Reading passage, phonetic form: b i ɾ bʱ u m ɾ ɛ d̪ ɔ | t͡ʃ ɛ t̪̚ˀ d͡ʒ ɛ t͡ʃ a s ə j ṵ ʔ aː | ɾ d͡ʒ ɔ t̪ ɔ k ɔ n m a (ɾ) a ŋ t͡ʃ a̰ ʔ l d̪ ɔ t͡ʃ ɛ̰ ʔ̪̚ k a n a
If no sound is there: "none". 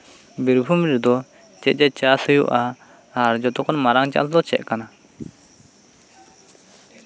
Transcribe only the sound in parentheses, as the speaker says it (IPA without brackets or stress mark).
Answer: ɾ